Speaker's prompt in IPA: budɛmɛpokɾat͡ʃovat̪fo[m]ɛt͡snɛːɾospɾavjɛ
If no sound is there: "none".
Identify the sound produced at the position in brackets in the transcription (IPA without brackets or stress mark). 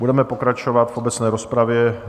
b